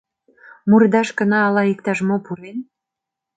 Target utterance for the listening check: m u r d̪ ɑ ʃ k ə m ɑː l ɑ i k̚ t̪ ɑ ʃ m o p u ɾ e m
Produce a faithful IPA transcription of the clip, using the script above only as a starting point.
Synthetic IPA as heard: m u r d̪ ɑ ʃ k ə n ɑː l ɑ i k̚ t̪ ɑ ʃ m o p u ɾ e n